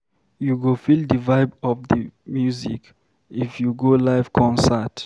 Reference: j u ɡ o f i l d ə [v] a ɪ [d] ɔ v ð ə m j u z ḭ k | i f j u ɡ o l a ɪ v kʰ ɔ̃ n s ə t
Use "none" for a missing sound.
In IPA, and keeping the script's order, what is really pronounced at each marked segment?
v, b

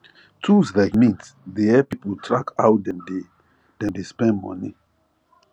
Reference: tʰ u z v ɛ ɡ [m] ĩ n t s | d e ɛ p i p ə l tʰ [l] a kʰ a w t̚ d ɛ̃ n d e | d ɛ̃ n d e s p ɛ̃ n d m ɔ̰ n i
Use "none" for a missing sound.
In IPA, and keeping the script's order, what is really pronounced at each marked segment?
m, ɹ

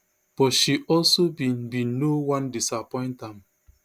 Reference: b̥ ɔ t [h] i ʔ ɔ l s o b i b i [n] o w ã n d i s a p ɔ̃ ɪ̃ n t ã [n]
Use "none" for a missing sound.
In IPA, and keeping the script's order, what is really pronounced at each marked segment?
ʃ, n, m

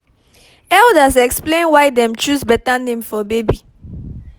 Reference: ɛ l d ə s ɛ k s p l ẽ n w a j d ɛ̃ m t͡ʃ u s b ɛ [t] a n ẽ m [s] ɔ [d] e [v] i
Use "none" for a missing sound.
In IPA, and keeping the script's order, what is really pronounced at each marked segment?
t, f, b, b

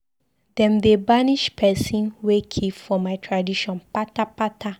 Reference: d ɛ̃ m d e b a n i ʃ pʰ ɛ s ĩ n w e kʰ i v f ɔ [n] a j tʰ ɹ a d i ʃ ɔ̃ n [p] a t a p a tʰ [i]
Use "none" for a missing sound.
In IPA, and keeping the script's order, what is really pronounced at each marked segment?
m, p, a

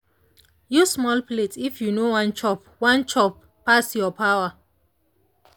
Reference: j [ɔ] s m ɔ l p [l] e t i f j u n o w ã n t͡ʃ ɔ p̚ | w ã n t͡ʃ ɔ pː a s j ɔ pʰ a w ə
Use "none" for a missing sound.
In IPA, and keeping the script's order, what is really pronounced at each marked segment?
u, l

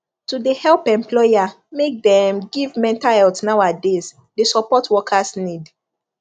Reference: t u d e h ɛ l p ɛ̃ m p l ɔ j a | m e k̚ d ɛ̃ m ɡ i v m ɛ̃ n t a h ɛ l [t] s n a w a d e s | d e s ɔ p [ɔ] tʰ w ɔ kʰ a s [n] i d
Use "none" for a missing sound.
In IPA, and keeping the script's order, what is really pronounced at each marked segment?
t, ɔ, n

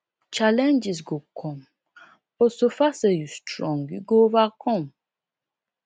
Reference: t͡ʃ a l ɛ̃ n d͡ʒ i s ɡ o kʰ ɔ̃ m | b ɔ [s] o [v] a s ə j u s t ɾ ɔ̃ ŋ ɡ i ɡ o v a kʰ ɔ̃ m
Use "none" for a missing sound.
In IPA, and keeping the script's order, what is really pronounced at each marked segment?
s, f

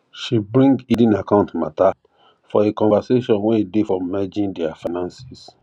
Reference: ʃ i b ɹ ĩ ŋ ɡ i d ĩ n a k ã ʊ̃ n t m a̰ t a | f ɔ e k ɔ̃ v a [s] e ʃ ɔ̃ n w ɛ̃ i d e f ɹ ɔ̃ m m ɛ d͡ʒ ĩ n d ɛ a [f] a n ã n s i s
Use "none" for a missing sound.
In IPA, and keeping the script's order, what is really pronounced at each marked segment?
s, f

